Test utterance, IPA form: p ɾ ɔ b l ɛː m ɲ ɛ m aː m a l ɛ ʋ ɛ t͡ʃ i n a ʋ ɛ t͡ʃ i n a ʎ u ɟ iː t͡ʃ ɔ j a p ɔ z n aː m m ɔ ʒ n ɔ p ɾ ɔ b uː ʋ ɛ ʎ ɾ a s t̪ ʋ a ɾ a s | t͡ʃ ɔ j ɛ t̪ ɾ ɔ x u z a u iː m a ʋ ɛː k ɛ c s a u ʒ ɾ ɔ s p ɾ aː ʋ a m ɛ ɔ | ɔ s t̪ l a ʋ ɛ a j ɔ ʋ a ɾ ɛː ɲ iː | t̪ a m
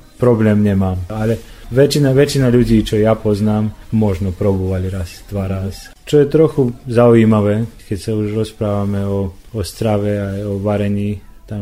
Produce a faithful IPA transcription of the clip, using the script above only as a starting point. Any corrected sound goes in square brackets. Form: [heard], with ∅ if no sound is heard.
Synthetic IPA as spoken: p ɾ ɔ b l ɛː m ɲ ɛ m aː m a l ɛ ʋ ɛ t͡ʃ i n a ʋ ɛ t͡ʃ i n a ʎ u ɟ iː t͡ʃ ɔ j a p ɔ z n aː m m ɔ ʒ n ɔ p ɾ ɔ b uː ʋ [a] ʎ ɾ a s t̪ ʋ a ɾ a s | t͡ʃ ɔ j ɛ t̪ ɾ ɔ x u z a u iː m a ʋ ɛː k ɛ c s a u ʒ ɾ ɔ s p ɾ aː ʋ a m ɛ ɔ | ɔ s t̪ [ɾ] a ʋ ɛ a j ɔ ʋ a ɾ [ɛ] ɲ iː | t̪ a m